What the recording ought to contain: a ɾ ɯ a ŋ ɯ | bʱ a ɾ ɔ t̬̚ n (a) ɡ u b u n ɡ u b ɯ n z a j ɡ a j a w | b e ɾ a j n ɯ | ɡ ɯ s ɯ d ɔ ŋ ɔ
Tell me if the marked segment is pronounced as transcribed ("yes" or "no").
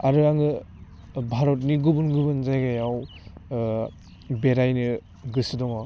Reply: no